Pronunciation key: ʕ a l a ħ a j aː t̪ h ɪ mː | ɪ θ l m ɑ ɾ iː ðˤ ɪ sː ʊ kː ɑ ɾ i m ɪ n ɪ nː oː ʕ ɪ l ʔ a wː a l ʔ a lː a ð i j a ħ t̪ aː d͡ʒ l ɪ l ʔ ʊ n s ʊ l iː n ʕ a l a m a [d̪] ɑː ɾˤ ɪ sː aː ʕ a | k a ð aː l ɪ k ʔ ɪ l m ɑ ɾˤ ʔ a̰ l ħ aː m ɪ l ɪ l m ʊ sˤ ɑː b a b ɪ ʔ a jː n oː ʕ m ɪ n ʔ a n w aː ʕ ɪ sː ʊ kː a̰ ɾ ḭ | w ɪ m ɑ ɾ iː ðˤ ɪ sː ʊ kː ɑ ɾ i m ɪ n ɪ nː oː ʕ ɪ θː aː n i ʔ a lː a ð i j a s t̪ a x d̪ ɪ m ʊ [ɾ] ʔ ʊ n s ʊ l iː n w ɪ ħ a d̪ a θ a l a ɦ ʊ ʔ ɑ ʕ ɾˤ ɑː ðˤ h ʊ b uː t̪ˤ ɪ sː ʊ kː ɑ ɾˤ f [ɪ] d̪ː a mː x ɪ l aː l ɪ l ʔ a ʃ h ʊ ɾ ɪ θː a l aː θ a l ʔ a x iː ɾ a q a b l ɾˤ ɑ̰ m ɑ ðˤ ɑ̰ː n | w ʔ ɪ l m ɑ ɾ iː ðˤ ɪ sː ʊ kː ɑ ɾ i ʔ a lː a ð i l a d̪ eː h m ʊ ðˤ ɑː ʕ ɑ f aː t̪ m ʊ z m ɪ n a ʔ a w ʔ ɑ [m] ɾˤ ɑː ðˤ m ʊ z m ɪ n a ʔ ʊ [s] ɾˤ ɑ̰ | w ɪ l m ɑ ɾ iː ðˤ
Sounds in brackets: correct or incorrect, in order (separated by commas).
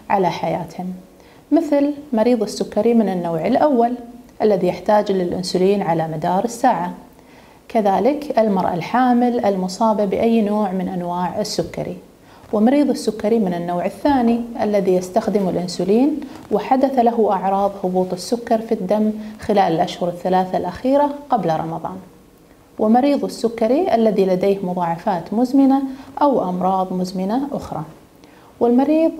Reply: correct, incorrect, incorrect, correct, incorrect